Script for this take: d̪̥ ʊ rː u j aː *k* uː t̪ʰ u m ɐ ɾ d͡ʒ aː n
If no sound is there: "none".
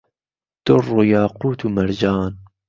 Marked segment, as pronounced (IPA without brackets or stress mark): q